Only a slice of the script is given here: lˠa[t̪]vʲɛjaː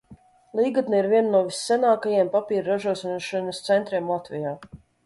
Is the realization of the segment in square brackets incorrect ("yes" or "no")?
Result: no